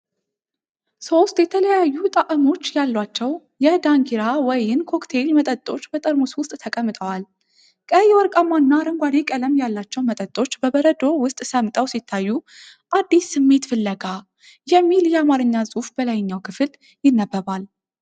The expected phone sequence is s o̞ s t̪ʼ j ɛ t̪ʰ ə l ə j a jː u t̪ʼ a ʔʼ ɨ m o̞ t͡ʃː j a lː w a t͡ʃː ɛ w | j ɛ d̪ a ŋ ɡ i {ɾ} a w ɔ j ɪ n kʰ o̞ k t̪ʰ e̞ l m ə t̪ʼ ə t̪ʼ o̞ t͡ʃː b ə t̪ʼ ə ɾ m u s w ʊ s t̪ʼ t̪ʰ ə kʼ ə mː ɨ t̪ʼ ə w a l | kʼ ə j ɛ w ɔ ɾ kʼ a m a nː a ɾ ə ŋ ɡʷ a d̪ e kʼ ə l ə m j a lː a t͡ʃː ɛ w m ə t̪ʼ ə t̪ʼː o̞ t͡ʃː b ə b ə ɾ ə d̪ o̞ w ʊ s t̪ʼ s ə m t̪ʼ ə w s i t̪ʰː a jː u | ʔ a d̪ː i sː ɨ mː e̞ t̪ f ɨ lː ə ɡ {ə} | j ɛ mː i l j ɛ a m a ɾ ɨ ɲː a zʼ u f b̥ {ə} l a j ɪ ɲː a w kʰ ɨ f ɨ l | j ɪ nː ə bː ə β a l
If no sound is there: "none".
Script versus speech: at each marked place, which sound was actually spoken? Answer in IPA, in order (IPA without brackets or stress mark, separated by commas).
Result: ɾ, a, ə